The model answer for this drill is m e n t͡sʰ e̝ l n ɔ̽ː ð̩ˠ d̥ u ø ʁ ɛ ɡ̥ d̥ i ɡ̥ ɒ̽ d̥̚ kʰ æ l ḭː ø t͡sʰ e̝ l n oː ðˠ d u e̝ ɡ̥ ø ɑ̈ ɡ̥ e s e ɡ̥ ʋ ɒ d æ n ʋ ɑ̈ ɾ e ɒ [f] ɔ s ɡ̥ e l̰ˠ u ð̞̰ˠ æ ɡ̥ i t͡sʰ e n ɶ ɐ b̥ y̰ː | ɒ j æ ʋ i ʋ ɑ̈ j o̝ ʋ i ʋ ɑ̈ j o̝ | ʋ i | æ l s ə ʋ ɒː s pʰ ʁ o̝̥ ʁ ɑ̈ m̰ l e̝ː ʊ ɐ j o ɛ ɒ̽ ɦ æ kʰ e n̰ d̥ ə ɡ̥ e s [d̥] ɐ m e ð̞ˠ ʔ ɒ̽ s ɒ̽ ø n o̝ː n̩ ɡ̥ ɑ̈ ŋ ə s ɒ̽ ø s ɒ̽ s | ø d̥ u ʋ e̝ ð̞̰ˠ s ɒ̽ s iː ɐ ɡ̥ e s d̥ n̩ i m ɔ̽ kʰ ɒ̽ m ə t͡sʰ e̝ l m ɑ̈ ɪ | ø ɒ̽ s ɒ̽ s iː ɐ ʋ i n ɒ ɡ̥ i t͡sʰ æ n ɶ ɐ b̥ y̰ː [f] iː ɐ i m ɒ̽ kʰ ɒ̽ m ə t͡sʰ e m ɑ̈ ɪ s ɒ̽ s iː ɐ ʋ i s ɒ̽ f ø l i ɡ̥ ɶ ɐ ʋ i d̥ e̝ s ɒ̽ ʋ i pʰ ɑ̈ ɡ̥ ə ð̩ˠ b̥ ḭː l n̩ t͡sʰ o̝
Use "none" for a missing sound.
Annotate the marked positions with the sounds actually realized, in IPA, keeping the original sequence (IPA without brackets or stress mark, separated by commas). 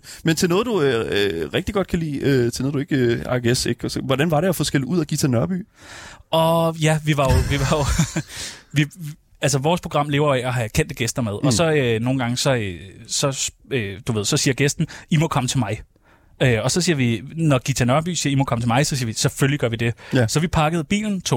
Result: f, d̥, s